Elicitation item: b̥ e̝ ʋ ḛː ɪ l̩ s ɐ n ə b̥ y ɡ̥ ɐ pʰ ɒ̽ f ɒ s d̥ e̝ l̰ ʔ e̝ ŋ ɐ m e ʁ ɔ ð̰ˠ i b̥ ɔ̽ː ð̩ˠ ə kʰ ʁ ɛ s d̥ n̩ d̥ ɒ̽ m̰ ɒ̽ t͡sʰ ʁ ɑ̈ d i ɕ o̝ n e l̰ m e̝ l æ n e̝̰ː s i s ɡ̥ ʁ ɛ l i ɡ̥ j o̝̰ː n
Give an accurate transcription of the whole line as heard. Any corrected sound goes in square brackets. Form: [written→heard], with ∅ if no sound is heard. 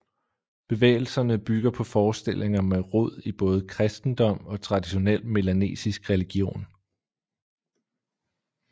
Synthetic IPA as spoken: b̥ e̝ ʋ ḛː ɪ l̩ s ɐ n ə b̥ y ɡ̥ ɐ pʰ ɒ̽ f [ɒ→ɒː] s d̥ e̝ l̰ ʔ e̝ ŋ ɐ m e ʁ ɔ ð̰ˠ i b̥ ɔ̽ː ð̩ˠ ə kʰ ʁ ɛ s d̥ n̩ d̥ ɒ̽ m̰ ɒ̽ t͡sʰ ʁ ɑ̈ d i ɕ o̝ n e l̰ m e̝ l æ n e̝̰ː s i s ɡ̥ ʁ ɛ l i ɡ̥ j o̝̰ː n